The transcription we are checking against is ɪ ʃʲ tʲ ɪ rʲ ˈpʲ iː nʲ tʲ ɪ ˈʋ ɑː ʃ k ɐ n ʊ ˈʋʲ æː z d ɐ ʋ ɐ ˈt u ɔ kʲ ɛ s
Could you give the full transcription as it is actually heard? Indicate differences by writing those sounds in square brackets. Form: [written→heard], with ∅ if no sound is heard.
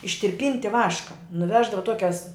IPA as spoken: ɪ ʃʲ tʲ ɪ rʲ ˈpʲ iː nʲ tʲ ɪ ˈʋ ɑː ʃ k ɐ n ʊ ˈʋʲ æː [z→ʒ] d ɐ ʋ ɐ ˈt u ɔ kʲ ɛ s